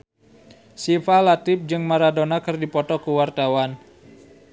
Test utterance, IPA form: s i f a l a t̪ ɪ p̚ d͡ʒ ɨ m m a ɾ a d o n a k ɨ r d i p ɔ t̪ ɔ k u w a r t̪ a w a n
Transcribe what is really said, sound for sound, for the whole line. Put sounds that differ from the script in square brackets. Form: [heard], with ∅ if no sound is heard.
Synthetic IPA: s i f a l a t̪ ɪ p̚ d͡ʒ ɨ [ŋ] m a ɾ a d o n a k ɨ r d i p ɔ t̪ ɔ k u w a r t̪ a w a n